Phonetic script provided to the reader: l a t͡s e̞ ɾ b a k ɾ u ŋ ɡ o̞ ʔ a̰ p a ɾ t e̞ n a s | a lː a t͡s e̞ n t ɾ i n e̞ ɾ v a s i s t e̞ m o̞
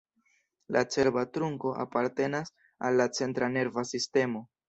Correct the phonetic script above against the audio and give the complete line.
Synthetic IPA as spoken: l a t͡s e̞ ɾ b a t ɾ u ŋ k o̞ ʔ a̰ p a ɾ t e̞ n a s | a lː a t͡s e̞ n t ɾ a n e̞ ɾ v a s i s t e̞ m o̞